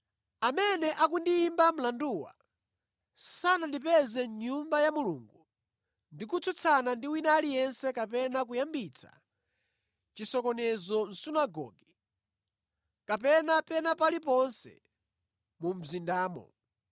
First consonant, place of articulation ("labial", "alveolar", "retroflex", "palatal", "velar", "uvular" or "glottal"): labial